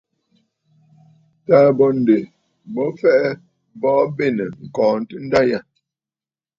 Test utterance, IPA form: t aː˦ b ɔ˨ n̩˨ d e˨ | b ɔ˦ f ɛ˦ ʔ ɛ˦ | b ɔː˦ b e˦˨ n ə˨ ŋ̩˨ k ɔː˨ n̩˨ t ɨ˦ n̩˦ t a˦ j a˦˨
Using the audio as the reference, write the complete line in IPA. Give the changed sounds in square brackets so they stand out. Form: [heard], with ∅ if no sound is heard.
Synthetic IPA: t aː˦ b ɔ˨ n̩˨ d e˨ | b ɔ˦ f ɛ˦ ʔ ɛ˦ | b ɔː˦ b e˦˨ n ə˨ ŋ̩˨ k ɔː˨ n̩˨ t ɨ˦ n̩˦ [d] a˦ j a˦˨

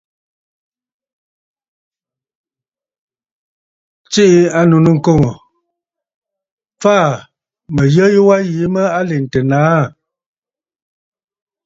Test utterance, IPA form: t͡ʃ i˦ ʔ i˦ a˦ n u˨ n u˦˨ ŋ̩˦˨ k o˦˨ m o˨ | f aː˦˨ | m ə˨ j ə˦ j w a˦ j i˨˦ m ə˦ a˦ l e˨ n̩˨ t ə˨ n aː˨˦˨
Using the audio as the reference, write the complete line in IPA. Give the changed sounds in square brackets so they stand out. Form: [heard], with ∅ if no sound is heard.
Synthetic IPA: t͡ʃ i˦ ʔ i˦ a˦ n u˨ n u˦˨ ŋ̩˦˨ k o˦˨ [ŋ] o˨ | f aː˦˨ | m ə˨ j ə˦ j w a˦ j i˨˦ m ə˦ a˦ l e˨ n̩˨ t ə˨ n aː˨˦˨

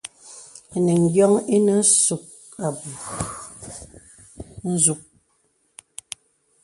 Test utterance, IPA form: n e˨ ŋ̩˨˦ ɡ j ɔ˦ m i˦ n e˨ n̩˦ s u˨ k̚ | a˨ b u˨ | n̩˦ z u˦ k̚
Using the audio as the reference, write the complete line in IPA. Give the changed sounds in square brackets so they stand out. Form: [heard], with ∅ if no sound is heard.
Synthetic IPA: n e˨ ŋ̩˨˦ ɡ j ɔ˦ [ŋ] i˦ n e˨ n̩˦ s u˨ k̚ | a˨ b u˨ | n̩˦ z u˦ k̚

